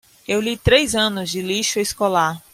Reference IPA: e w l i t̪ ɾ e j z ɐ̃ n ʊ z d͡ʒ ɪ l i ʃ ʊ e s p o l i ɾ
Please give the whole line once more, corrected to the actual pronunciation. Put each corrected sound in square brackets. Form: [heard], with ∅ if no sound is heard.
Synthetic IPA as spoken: e w l i t̪ ɾ e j z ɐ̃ n ʊ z d͡ʒ ɪ l i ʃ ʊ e s [k] o l [a] ɾ